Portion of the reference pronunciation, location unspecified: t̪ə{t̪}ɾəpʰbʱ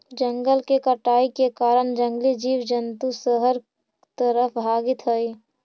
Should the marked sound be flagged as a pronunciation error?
yes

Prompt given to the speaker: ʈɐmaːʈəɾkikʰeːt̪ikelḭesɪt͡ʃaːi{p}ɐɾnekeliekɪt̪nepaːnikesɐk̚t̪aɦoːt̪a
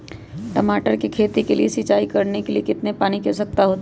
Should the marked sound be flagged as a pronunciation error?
yes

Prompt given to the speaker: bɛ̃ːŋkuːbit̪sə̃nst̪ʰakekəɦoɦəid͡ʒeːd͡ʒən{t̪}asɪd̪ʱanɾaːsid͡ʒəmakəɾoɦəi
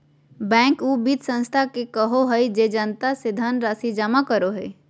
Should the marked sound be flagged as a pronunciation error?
no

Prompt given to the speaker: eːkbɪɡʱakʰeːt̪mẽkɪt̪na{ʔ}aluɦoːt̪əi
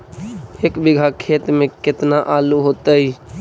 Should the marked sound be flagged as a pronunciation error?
no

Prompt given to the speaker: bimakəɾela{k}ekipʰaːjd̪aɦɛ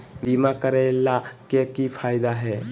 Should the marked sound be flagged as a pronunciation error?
no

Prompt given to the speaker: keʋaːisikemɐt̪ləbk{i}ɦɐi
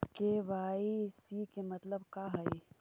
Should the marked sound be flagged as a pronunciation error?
yes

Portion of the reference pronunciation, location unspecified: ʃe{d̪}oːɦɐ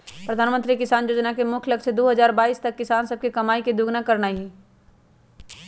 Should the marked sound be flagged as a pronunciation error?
no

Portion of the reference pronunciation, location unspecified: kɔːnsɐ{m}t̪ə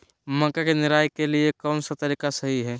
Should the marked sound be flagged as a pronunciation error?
yes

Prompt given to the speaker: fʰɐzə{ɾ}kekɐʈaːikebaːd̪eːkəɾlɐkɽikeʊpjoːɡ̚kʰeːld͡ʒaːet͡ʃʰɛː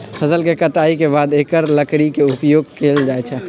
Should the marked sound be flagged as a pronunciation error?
yes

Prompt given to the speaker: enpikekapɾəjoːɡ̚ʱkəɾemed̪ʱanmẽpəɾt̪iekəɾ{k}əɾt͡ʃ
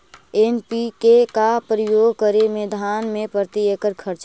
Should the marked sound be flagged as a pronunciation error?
yes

